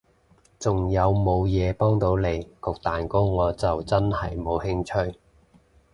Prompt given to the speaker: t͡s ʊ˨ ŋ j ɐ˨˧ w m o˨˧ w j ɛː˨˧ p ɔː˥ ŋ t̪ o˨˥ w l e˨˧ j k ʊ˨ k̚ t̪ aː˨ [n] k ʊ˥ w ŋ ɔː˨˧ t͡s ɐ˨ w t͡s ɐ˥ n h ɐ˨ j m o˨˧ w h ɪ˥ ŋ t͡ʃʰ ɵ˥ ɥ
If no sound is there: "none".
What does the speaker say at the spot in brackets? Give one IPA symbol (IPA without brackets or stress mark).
n